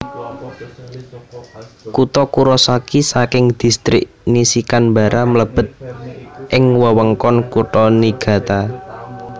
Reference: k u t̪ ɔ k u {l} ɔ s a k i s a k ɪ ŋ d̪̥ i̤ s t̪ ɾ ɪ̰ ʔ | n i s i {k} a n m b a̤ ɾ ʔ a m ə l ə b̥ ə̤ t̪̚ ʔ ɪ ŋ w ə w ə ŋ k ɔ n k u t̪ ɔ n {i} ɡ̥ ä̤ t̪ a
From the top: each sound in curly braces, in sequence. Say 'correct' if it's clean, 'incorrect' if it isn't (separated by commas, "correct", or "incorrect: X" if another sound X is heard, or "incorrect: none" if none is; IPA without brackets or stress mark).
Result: incorrect: ɾ, correct, correct